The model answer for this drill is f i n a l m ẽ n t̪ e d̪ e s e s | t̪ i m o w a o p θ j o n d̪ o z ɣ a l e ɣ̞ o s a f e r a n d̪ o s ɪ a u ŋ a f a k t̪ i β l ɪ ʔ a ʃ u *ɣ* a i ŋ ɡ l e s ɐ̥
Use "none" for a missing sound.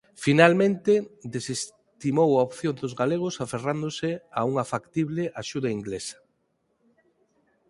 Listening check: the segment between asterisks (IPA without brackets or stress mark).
ð